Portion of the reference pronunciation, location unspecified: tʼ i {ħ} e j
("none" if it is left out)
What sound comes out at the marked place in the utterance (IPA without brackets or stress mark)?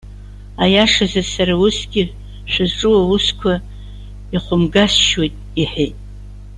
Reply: ħ